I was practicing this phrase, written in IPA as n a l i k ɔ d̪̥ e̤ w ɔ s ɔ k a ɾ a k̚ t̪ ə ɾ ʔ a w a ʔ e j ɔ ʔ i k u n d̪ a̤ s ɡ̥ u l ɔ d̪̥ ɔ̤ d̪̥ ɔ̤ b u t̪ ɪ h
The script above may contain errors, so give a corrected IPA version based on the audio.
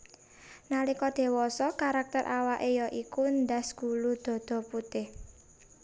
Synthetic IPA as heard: n a l i k ɔ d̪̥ e̤ w ɔ s ɔ k a ɾ a k̚ t̪ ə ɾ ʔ a w a ʔ e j ɔ ʔ i k u n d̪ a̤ s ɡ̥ u l u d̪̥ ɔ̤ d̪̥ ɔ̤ p u t̪ ɪ h